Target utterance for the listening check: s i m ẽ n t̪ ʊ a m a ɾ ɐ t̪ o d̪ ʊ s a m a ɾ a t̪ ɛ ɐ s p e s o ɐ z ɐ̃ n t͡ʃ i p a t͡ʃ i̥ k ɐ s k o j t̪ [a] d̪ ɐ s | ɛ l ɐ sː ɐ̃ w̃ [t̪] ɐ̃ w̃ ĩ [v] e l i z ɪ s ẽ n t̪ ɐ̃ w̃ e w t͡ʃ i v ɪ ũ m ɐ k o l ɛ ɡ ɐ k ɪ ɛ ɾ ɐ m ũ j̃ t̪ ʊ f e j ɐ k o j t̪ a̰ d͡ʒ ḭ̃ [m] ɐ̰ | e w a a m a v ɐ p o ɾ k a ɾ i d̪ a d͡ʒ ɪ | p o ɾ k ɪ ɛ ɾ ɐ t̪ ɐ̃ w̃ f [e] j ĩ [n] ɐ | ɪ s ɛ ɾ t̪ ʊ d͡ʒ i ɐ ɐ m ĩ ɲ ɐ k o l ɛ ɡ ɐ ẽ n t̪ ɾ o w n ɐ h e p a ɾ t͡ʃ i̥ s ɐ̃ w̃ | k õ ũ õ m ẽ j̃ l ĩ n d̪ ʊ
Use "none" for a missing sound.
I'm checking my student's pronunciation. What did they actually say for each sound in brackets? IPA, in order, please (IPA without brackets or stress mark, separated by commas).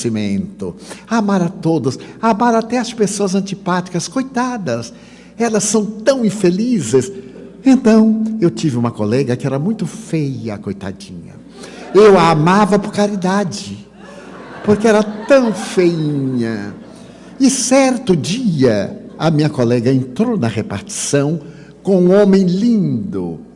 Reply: a, t̪, f, ɲ, e, ɲ